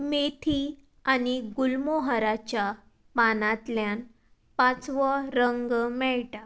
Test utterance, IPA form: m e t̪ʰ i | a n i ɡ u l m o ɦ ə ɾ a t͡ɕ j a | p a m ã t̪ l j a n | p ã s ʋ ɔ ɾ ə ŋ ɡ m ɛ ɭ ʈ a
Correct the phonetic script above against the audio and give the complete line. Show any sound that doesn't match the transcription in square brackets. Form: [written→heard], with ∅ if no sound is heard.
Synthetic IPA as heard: m e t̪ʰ i | a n i ɡ u l m o ɦ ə ɾ a t͡ɕ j a | p a [m→n] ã t̪ l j a n | p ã [s→t͡s] ʋ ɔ ɾ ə ŋ ɡ m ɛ ɭ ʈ a